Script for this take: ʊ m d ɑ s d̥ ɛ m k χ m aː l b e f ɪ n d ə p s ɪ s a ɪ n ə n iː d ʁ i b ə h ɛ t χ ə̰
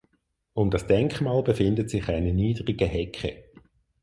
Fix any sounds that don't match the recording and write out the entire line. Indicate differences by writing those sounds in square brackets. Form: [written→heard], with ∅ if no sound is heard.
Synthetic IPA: ʊ m d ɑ s d̥ ɛ [m→ŋ] k χ m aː l b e f ɪ n d ə [p→t] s ɪ [s→χ] a ɪ n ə n iː d ʁ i [b→ɡ] ə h ɛ [t→k] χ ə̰